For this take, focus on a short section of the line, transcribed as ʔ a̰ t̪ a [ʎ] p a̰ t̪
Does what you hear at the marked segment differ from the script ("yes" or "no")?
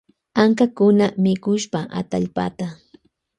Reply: no